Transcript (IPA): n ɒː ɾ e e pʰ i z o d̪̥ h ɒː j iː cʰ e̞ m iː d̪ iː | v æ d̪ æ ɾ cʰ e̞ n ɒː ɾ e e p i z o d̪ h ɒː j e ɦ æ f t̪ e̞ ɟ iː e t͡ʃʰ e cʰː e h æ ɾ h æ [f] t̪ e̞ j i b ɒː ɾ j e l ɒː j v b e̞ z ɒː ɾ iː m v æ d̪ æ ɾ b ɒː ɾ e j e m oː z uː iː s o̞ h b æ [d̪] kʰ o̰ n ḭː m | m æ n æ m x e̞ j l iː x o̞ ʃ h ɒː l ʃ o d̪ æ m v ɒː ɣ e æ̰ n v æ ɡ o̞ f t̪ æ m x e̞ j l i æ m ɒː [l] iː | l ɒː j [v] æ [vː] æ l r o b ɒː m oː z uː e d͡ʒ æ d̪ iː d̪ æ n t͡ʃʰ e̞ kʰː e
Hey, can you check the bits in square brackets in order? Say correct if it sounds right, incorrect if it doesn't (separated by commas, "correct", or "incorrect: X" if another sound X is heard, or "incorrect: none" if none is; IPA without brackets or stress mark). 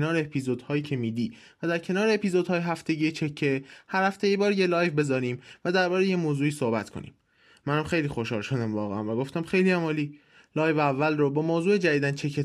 correct, incorrect: t̪, correct, correct, correct